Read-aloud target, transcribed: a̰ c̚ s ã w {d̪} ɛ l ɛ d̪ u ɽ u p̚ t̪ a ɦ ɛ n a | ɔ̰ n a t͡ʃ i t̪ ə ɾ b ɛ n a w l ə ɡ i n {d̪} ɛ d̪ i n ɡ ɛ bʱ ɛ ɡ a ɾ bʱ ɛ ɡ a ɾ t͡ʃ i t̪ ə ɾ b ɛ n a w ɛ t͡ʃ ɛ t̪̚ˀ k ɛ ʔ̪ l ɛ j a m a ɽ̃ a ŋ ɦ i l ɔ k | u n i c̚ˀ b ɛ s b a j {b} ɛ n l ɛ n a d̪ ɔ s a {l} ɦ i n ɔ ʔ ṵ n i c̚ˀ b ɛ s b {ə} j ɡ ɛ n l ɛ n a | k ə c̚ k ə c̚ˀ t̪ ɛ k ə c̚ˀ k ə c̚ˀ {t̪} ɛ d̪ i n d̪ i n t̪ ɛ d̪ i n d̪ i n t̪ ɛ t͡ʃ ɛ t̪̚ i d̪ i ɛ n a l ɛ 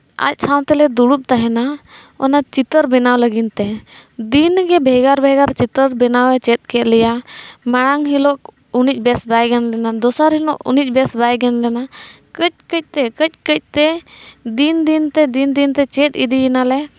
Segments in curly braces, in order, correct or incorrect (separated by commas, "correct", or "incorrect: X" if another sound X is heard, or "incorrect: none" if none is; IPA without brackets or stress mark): incorrect: t̪, incorrect: t̪, incorrect: ɡ, incorrect: ɾ, incorrect: a, correct